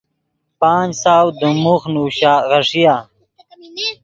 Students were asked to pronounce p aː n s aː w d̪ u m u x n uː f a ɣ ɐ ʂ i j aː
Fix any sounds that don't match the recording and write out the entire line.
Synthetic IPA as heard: p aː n s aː w d̪ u m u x n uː ɕ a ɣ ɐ ʂ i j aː

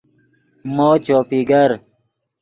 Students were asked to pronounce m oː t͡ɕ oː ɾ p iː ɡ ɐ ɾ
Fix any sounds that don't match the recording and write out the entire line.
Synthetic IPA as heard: m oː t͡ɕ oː p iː ɡ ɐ ɾ

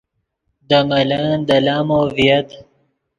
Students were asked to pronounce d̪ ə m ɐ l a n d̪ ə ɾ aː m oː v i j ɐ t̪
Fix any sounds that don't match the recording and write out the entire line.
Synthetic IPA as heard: d̪ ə m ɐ l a n d̪ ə l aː m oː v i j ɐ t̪

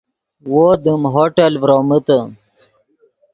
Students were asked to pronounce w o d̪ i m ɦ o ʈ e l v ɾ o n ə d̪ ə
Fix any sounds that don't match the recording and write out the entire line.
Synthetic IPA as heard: w o d̪ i m ɦ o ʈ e l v ɾ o m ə t̪ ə

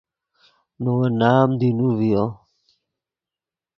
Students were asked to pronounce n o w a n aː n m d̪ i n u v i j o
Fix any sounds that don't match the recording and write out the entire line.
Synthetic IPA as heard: n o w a n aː m d̪ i n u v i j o

